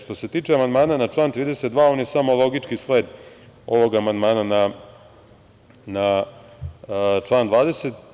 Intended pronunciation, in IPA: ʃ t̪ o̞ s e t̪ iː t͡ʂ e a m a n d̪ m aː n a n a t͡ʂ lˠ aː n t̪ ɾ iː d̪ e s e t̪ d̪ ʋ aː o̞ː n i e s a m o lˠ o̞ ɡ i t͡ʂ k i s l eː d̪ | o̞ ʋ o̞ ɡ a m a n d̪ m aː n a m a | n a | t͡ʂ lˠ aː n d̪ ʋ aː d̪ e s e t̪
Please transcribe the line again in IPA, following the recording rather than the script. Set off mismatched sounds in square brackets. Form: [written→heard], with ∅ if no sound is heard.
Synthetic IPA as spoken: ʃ t̪ o̞ s e t̪ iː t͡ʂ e a m a n d̪ m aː n a n a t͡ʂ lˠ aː n t̪ ɾ iː d̪ e s e t̪ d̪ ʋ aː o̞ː n [i→j] e s a m o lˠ o̞ ɡ i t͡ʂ k i s l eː d̪ | o̞ ʋ o̞ ɡ a m a n d̪ m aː n a [m→n] a | n a | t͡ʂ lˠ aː n d̪ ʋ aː d̪ e s e t̪